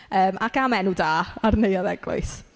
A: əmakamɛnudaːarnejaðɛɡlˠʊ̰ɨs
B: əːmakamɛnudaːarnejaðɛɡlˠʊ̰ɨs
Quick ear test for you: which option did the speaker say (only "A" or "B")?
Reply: B